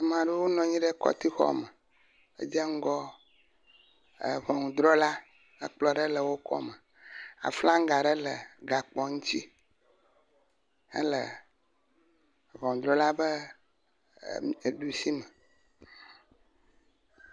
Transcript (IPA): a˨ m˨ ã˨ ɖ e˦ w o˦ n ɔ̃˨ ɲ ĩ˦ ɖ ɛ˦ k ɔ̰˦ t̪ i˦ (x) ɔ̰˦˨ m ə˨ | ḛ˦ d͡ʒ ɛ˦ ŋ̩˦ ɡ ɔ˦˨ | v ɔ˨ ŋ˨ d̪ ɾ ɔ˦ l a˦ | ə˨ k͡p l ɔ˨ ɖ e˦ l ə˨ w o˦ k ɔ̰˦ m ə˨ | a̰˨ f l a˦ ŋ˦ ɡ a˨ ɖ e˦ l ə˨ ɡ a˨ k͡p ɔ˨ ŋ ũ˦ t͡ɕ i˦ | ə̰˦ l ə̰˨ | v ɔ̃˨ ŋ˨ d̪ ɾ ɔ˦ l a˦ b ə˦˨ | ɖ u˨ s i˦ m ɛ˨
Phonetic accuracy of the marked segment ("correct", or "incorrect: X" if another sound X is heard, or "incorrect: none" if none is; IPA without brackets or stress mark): correct